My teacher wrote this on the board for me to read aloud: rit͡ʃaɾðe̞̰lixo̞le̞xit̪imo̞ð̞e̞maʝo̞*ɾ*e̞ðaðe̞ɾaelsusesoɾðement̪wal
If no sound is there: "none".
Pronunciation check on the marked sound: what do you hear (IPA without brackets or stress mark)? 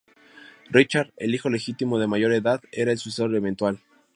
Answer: ɾ